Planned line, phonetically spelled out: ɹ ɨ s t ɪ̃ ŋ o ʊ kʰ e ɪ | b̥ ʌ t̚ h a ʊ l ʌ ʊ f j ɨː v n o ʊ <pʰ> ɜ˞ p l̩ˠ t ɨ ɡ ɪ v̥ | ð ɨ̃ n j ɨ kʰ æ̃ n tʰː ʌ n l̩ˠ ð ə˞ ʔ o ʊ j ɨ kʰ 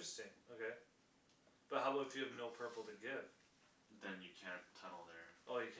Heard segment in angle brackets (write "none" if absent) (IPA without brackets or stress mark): pʰ